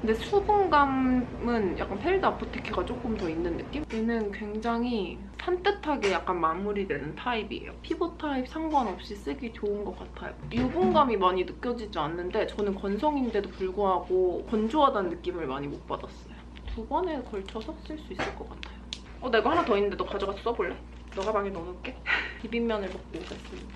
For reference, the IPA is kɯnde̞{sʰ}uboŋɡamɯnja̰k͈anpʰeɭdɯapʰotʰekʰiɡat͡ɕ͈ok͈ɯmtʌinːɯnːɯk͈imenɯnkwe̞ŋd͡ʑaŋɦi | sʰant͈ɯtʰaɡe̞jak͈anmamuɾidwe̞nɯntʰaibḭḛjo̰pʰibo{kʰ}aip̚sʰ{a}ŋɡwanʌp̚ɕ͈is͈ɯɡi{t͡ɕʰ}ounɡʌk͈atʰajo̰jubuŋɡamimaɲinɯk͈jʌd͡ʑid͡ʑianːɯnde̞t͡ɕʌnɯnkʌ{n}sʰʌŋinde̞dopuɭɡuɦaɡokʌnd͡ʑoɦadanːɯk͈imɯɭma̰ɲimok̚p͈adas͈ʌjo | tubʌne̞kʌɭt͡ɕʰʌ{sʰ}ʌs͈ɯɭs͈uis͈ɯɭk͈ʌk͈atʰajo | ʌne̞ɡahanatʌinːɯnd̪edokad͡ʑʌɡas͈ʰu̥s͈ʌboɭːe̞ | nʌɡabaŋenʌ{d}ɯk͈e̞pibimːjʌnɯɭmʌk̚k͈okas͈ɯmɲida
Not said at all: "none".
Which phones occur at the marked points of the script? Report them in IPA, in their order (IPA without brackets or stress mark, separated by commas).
sʰ, tʰ, a, t͡ɕ, n, sʰ, n